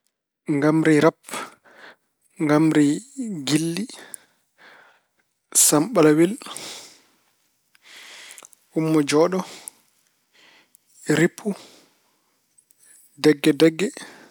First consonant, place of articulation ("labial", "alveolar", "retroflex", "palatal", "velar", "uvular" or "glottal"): velar